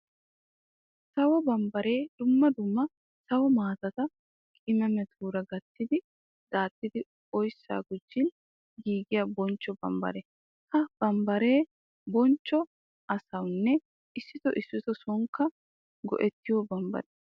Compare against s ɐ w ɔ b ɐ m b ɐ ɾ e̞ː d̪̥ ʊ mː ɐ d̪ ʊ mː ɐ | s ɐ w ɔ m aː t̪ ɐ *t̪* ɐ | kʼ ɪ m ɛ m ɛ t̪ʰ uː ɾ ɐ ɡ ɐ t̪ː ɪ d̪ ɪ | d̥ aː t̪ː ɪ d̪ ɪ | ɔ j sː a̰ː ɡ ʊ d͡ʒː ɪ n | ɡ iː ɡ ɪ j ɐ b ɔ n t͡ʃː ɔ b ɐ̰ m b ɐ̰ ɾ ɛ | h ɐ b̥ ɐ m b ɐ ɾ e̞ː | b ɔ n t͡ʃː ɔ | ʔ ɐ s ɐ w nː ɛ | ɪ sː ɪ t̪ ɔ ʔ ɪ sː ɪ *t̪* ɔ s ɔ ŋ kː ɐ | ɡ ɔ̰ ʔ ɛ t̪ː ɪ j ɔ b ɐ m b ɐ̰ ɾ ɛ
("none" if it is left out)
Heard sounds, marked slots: t̪, t̪

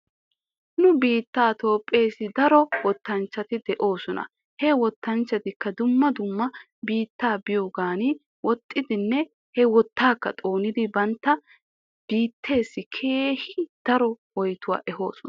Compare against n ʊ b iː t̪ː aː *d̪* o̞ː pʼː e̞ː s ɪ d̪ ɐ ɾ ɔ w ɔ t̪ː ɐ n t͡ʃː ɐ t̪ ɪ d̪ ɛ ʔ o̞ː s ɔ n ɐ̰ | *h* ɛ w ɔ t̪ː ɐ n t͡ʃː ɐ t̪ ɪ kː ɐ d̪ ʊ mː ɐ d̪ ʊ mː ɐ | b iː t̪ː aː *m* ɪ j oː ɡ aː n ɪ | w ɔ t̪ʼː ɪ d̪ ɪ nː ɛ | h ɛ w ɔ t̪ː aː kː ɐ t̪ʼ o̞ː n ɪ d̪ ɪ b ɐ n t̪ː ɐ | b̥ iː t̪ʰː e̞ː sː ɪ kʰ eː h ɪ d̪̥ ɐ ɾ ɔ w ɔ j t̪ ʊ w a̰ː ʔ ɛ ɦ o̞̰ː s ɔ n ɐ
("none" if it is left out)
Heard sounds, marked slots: t̪, h, b

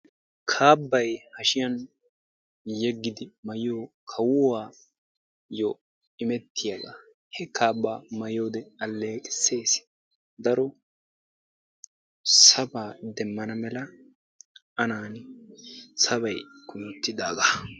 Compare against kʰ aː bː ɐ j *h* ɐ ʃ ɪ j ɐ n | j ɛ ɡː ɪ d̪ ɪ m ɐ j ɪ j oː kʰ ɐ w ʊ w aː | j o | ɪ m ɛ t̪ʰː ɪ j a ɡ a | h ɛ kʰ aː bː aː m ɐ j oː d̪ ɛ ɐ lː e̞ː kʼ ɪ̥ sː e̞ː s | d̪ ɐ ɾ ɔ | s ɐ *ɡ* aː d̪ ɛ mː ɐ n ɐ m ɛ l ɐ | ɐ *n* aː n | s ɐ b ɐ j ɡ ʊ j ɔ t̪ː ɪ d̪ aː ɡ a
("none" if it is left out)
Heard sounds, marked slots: h, b, n

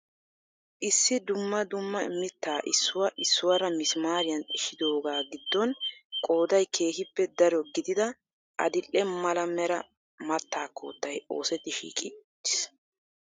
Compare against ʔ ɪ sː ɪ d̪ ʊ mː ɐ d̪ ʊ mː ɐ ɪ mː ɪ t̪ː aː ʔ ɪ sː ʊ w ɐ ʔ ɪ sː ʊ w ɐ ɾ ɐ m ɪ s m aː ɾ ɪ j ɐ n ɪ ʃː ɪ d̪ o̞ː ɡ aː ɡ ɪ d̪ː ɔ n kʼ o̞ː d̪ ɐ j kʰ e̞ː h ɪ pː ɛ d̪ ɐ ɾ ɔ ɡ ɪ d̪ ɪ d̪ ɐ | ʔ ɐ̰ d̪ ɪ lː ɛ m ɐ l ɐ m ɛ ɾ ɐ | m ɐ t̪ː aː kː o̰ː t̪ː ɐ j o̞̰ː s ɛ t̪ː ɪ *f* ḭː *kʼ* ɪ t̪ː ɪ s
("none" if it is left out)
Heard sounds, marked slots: ʃ, kʼ

